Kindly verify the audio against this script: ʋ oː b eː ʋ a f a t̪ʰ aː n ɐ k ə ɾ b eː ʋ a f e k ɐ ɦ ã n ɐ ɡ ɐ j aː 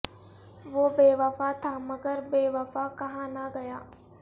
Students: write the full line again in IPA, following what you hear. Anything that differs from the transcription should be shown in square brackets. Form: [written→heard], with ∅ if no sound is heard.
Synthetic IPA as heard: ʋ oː b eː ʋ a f a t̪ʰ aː [n→m] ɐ [k→ɡ] ə ɾ b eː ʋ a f [e→a] k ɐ ɦ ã n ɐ ɡ ɐ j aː